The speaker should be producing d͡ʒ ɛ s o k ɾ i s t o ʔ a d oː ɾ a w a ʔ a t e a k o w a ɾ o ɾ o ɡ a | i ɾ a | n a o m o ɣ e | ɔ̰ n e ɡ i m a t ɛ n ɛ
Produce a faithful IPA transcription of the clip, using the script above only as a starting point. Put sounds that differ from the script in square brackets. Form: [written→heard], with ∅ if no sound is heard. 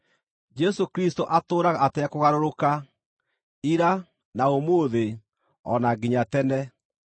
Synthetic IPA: d͡ʒ ɛ s o k ɾ i s t o ʔ a [d→t] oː ɾ a [w→ɣ] a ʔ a t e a k o [w→ɣ] a ɾ o ɾ o [ɡ→k] a | i ɾ a | n a o m o [ɣ→ð] e | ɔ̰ n [e→a] ɡ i [m→ɲ] a t ɛ n ɛ

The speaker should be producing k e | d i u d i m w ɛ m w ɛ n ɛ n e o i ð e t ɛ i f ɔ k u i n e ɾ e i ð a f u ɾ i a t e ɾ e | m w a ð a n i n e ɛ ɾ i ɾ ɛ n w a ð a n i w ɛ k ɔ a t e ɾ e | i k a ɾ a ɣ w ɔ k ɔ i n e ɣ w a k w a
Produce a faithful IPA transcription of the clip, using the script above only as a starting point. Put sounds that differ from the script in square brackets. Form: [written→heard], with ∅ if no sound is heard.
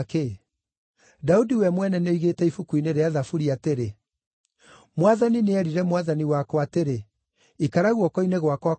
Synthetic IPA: k e | d [i→a] u d i [m→∅] w ɛ m w ɛ n ɛ n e o i [ð→ɣ] e t ɛ i f [ɔ→u] k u i n e ɾ e [i→a] ð a f u ɾ i a t e ɾ e | m w a ð a n i n e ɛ ɾ i ɾ ɛ [n→m] w a ð a n i w [ɛ→a] k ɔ a t e ɾ e | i k a ɾ a ɣ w ɔ k ɔ i n e ɣ w a k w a

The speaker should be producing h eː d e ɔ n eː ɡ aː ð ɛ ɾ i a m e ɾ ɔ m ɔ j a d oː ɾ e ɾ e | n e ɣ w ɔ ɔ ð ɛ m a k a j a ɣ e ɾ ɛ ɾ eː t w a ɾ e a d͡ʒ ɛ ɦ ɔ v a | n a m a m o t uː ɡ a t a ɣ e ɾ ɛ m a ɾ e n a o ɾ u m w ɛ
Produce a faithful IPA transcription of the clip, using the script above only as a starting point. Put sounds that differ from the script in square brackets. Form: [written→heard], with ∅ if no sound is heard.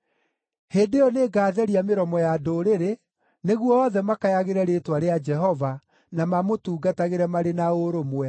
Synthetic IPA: h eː d e ɔ n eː ɡ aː ð ɛ ɾ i a m e ɾ ɔ m ɔ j a d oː ɾ e ɾ e | n e ɣ w ɔ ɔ ð ɛ m a k a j a ɣ e ɾ ɛ ɾ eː t w a ɾ e a d͡ʒ ɛ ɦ ɔ v a | n a m a m o t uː ɡ a t a ɣ e ɾ ɛ m a ɾ e n a o ɾ [u→o] m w ɛ

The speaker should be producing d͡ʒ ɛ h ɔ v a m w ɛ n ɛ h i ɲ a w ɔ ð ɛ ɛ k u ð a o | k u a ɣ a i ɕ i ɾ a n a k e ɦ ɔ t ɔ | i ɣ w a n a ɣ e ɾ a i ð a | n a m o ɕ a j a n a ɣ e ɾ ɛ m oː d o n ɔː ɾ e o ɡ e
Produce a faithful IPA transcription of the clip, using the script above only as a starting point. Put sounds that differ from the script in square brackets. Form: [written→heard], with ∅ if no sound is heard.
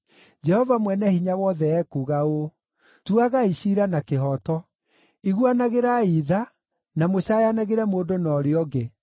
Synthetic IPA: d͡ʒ ɛ h ɔ v a m w ɛ n ɛ h i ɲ a w ɔ ð ɛ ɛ k u [ð→ɣ] a o | [k→t] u a ɣ a i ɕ i ɾ a n a k e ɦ ɔ t ɔ | i ɣ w a n a ɣ e ɾ a i ð a | n a m o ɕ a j a n a ɣ e ɾ ɛ m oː d o n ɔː ɾ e [o→ɔ] ɡ e

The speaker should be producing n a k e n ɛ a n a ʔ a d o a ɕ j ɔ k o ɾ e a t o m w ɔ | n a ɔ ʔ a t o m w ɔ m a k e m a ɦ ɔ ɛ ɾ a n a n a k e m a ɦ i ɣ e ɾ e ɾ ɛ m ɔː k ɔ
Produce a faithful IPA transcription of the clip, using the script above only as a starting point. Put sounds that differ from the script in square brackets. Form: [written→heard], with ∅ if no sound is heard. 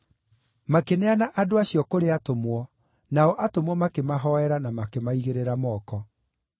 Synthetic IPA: [n→m] a k e n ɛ a n a ʔ a d o a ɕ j ɔ k o ɾ e a t o m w ɔ | n a ɔ ʔ a t o m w ɔ m a k e m a ɦ ɔ ɛ ɾ a n a [n→m] a k e m a [ɦ→∅] i ɣ e ɾ e ɾ [ɛ→a] m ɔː k ɔ

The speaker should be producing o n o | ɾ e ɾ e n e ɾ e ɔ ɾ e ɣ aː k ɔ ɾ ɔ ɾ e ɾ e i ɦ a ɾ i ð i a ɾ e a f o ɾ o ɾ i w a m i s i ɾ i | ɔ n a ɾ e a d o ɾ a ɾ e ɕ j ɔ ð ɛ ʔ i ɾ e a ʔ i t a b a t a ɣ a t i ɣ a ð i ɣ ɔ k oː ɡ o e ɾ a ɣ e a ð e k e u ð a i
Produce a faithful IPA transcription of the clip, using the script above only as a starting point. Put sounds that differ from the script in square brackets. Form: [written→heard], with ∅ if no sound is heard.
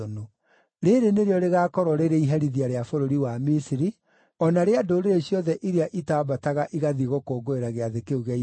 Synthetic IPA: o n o | ɾ e ɾ e n e ɾ e ɔ ɾ e ɣ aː k ɔ ɾ ɔ ɾ e ɾ e i ɦ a ɾ i ð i a ɾ e a f o ɾ o ɾ i w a m i s i ɾ i | ɔ n a ɾ e a d o ɾ [a→e] ɾ e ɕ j ɔ ð ɛ ʔ i ɾ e a ʔ i t a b a t a ɣ a [t→ʔ] i ɣ a ð i ɣ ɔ k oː ɡ o e ɾ a ɣ e a ð e k e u [ð→ɣ] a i

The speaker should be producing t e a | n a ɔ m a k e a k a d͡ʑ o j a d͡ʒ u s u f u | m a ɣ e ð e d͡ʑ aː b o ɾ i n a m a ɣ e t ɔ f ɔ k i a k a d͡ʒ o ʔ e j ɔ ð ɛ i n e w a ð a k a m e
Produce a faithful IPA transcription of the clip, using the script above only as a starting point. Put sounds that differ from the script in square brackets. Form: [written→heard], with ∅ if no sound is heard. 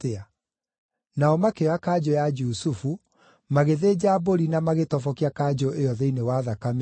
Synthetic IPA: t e a | n a ɔ m a k e a k a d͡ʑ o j a d͡ʒ u s u f u | m a ɣ e ð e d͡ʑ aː b o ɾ i n a m a ɣ e t ɔ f ɔ k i a k a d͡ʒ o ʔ e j ɔ ð ɛ i n e w a ð a k a m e

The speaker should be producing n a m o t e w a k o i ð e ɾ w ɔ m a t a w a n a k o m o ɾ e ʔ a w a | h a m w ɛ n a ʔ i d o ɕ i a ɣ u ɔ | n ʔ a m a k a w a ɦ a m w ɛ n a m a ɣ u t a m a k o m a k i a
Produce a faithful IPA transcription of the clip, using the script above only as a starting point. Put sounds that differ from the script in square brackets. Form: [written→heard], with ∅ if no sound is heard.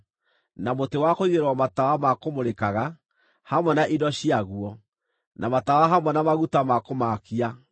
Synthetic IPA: n a m o t e w a k o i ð e ɾ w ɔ m a t a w a [n→m] a k o m o ɾ e [ʔ→k] a [w→ɣ] a | h a m w ɛ n a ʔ i d [o→ɔ] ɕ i a ɣ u ɔ | n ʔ a m a [k→t] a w a ɦ a m w ɛ n a m a ɣ u t a m a k o m a k i a

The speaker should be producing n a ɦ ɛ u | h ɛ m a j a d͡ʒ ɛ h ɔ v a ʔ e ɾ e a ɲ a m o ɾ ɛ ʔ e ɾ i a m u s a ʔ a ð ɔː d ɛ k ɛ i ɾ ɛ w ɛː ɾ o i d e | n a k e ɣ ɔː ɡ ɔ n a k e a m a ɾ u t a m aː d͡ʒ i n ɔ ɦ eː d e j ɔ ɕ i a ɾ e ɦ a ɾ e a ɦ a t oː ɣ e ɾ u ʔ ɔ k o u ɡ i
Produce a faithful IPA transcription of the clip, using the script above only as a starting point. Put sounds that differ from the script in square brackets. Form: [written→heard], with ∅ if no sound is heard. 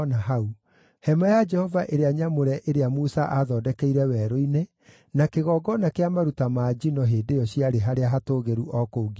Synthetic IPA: n a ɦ [ɛ→a] u | h ɛ m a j a d͡ʒ ɛ h ɔ v a ʔ e ɾ e a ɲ a m o ɾ ɛ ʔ e ɾ [i→e] a m u s a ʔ a ð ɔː d ɛ k ɛ i ɾ ɛ w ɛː ɾ o i [d→n] e | n a k e ɣ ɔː ɡ ɔ n a k e a m a ɾ u t a m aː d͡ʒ i n ɔ ɦ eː d e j ɔ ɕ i a ɾ e ɦ a ɾ e a ɦ a t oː ɣ e ɾ u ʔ ɔ k o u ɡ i

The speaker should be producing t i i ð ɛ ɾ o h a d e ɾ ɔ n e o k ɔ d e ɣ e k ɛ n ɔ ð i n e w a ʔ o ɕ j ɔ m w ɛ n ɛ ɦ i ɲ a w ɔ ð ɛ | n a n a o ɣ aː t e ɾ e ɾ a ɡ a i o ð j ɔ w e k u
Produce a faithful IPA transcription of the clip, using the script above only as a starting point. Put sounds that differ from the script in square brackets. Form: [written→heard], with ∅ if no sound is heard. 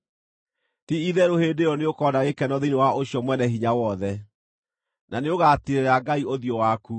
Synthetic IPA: t i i ð ɛ ɾ o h [a→e] d e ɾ ɔ n e o k ɔ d [e→a] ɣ e k ɛ n ɔ ð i n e w a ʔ o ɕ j ɔ m w ɛ n ɛ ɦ i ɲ a w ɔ ð ɛ | n a n [a→e] o ɣ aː t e ɾ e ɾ a ɡ a i o ð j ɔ w [e→a] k u

